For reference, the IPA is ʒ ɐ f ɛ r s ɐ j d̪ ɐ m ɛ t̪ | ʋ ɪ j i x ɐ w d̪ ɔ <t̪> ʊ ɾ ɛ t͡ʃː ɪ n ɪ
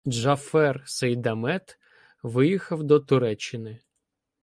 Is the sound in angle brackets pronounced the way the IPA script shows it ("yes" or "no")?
yes